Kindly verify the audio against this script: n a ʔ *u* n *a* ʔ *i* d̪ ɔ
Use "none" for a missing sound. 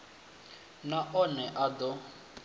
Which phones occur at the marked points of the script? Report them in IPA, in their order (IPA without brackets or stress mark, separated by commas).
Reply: ɔ, ɛ, a